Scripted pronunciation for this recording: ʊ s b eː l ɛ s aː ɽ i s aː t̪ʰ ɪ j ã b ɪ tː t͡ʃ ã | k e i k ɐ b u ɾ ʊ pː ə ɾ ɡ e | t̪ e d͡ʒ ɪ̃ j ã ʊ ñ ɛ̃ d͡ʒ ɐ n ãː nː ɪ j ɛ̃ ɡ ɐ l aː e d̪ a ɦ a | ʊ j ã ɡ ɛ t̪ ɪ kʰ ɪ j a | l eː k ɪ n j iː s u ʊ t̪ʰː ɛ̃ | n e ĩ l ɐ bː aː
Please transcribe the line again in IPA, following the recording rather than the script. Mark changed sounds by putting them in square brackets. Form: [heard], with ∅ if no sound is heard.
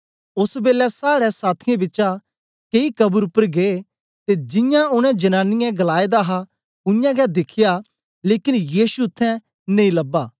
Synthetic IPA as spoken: ʊ s b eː l ɛ s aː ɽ [ɛ] s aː t̪ʰ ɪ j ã b ɪ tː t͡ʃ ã | k e i k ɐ b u ɾ ʊ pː ə ɾ ɡ e | t̪ e d͡ʒ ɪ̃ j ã ʊ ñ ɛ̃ d͡ʒ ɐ n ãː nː ɪ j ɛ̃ ɡ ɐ l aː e d̪ a ɦ a | ʊ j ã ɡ ɛ [d̪] ɪ kʰ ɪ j a | l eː k ɪ n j iː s u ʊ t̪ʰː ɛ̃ | n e ĩ l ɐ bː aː